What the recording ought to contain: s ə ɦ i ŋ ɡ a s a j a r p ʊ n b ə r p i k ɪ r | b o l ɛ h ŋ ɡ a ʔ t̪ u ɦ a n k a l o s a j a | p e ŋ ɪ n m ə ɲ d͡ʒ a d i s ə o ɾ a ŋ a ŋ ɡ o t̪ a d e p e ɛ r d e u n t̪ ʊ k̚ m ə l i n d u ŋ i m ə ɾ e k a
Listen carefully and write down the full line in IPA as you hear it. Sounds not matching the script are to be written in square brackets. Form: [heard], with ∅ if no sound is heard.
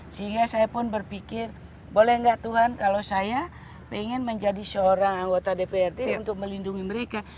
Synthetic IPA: s ə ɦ i ŋ ɡ a s a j a [∅] p ʊ n b ə r p i k ɪ r | b o l ɛ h ŋ ɡ a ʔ t̪ u ɦ a n k a l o s a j a | p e ŋ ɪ n m ə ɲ d͡ʒ a d i s ə o ɾ a ŋ a ŋ ɡ o t̪ a d e p e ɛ r d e u n t̪ ʊ k̚ m ə l i n d u ŋ i m ə ɾ e k a

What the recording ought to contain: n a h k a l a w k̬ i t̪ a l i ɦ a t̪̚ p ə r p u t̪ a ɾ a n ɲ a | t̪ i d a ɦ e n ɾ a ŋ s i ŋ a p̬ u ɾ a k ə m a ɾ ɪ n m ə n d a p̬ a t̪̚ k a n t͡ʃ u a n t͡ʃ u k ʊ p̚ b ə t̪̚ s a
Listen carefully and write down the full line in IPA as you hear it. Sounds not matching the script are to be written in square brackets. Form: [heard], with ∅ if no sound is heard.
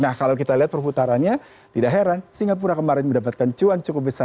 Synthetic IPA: n a h k a l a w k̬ i t̪ a l i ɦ a t̪̚ p ə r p u t̪ a ɾ a n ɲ a | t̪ i d a ɦ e [∅] ɾ a [n] s i ŋ a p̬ u ɾ a k ə m a ɾ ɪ n m ə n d a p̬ a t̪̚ k a n t͡ʃ u a n t͡ʃ u k ʊ p̚ b ə [∅] s a

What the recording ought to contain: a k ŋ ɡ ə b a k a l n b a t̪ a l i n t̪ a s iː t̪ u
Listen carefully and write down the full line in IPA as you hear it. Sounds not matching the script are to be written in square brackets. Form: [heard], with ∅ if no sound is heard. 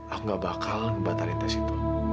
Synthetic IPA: a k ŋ ɡ [a] b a k a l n b a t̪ a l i n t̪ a s [i] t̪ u

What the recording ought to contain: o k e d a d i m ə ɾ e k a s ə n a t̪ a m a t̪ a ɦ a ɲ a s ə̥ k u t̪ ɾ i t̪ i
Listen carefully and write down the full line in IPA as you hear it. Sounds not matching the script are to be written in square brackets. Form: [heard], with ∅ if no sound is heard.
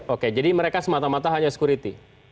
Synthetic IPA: o k e [d͡ʒ] a d i m ə ɾ e k a s ə [m] a t̪ a m a t̪ a ɦ a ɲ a s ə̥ k u [∅] ɾ i t̪ i

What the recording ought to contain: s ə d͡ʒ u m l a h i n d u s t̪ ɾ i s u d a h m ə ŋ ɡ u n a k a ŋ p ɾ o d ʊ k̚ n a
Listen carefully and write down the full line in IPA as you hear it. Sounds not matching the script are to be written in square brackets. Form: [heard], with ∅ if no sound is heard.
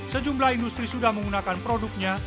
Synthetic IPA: s ə d͡ʒ u m l a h i n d u s t̪ ɾ i s u d a h m ə ŋ ɡ u n a k a [n] p ɾ o d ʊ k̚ [ɲ] a

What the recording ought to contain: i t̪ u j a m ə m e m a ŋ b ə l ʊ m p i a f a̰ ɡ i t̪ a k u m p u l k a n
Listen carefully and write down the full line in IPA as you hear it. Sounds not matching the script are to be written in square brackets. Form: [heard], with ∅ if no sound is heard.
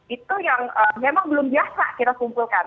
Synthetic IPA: i t̪ u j a [ŋ] ə m e m a ŋ b ə l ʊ m [b] i a [s] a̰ [k] i t̪ a k u m p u l k a n

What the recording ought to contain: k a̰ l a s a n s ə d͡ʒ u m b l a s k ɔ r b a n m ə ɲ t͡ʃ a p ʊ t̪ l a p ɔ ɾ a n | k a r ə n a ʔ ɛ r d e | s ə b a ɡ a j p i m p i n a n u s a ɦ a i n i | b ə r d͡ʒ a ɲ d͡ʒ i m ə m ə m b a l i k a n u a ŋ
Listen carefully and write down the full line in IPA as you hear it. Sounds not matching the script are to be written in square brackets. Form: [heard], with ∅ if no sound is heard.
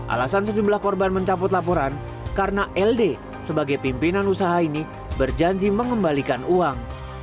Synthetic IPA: [ʔ] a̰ l a s a n s ə d͡ʒ u m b l a [h] k ɔ r b a n m ə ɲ t͡ʃ a p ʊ t̪ l a p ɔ ɾ a n | k a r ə n a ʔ ɛ [l] d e | s ə b a ɡ a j p i m p i n a n u s a ɦ a i n i | b ə r d͡ʒ a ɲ d͡ʒ i m ə [ŋ] ə m b a l i k a n u a ŋ

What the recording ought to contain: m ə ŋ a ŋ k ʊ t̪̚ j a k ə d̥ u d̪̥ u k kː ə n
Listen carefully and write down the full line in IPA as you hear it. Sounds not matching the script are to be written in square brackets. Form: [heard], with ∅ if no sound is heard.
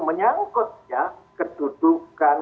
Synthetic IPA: m ə [ɲ] a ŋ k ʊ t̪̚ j a k ə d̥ u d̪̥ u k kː [a] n

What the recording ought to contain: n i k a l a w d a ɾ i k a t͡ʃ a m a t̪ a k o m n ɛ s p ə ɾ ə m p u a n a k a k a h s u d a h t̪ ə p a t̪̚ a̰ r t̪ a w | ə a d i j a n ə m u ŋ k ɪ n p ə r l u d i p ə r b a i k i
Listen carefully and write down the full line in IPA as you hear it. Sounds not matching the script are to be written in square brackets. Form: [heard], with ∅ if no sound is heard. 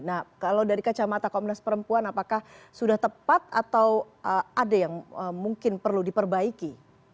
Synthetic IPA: n [a] k a l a w d a ɾ i k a t͡ʃ a m a t̪ a k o m n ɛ s p ə ɾ ə m p u a n a [p] a k a h s u d a h t̪ ə p a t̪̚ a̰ [∅] t̪ a w | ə a d [a] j a [ŋ] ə m u ŋ k ɪ n p ə r l u d i p ə r b a i k i

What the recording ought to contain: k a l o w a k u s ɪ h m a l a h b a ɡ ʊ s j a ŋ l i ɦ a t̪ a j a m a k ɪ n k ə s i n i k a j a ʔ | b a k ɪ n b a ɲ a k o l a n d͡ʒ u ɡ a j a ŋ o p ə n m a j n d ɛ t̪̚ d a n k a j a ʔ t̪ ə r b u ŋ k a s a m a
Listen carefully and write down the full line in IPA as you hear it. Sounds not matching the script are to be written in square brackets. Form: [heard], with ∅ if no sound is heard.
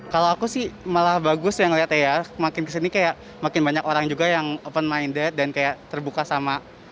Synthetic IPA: k a l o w a k u s ɪ h m a l a h b a ɡ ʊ s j a ŋ l i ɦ a t̪ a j a m a k ɪ n k ə s i n i k a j a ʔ | [m] a k ɪ n b a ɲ a k o [ɾ] a [ŋ] d͡ʒ u ɡ a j a ŋ o p ə n m a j n d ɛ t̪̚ d a n k a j a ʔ t̪ ə r b u [∅] k a s a m a

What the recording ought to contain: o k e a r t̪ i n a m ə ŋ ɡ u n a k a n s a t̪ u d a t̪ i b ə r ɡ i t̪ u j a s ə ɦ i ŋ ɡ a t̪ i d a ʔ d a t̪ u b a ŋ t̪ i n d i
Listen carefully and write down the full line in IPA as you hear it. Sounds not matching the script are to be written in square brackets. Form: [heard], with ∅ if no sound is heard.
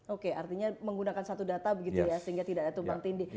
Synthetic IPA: o k e a r t̪ i [ɲ] a m ə ŋ ɡ u n a k a n s a t̪ u d a t̪ [a] b ə [∅] ɡ i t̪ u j a s ə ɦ i ŋ ɡ a t̪ i d a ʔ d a t̪ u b a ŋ t̪ i n d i

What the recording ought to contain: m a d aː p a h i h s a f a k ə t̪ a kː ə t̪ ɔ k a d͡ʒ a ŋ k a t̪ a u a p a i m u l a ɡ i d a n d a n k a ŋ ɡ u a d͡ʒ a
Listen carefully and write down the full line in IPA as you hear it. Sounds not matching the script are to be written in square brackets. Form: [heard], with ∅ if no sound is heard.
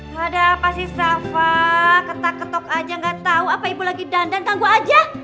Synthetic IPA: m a d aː p a [s] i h s a f a k ə t̪ a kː ə t̪ ɔ k a d͡ʒ a ŋ [ɡ] a t̪ a u a p a i [b] u l a ɡ i d a n d a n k a ŋ ɡ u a d͡ʒ a

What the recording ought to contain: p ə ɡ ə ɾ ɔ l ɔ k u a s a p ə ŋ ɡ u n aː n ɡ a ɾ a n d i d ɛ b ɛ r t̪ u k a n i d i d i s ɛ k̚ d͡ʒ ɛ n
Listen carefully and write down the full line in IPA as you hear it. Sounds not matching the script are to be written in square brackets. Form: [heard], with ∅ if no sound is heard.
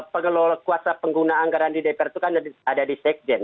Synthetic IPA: p ə [ŋ] ə [l] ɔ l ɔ k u a s a p ə ŋ ɡ u n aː [ŋ] ɡ a ɾ a n d i d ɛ [p] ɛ r t̪ u k a n [a] d [a] d i s ɛ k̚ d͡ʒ ɛ n

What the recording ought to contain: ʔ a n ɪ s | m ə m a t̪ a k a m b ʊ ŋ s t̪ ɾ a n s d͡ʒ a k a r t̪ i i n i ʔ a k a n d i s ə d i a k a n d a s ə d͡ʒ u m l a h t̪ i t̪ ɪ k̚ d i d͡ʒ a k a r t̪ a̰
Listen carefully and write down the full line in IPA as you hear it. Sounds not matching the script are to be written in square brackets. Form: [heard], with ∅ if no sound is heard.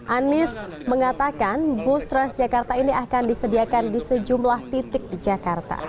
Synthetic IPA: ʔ a n ɪ s | m ə [ŋ] a t̪ a k a [n] b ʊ [∅] s t̪ ɾ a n s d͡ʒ a k a r t̪ [a] i n i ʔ a k a n d i s ə d i a k a n d [i] s ə d͡ʒ u m l a h t̪ i t̪ ɪ k̚ d i d͡ʒ a k a r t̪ a̰

